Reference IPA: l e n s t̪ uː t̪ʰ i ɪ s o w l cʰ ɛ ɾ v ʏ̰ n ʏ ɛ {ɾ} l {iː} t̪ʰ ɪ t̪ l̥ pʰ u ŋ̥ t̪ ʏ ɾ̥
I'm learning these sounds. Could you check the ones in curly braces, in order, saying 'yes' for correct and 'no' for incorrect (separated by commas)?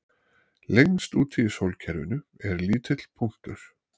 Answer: yes, yes